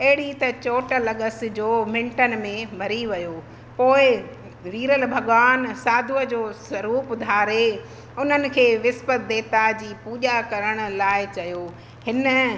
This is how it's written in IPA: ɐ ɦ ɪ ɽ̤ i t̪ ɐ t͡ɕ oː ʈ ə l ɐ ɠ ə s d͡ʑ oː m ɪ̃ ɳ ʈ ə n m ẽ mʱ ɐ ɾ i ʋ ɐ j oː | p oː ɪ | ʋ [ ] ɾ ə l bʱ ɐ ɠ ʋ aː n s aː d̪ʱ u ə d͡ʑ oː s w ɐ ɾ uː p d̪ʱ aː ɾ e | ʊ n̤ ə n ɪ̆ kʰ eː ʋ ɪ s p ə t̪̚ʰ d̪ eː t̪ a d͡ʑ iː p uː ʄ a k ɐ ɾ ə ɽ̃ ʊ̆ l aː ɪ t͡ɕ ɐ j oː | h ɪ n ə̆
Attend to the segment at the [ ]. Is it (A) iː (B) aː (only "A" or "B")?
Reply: A